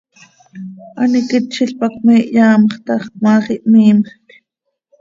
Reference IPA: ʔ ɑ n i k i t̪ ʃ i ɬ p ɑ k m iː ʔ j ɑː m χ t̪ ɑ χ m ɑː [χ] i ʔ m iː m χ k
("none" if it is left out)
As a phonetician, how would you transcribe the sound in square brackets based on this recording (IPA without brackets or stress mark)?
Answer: χ